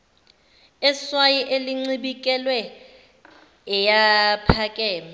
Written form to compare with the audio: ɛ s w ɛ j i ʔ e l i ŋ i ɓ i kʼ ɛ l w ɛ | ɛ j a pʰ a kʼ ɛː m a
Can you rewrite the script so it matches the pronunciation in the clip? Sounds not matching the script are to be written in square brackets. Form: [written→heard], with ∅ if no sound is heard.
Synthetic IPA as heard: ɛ s w [ɛ→a] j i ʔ e l i [ŋ→ŋ͡ǀ] i ɓ i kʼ ɛ l w ɛ | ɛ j a pʰ a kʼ ɛː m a

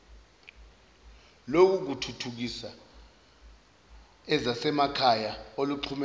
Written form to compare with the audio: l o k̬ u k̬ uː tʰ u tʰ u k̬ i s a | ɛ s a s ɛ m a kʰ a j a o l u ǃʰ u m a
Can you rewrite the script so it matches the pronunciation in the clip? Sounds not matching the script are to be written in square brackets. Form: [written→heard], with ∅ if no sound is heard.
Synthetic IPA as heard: l o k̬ u k̬ [uː→u] tʰ u tʰ u k̬ i s a | ɛ [s→z] a s ɛ m a kʰ a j a o l u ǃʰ u m [a→ɛ]

